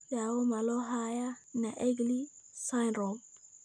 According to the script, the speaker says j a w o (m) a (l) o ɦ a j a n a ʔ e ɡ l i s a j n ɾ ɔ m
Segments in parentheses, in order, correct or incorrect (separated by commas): correct, correct